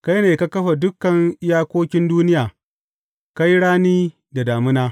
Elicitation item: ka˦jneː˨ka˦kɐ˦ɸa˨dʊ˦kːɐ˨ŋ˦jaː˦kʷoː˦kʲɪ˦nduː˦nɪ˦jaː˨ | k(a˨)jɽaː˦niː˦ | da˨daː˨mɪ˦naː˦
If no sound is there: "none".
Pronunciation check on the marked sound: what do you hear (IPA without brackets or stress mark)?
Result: a˦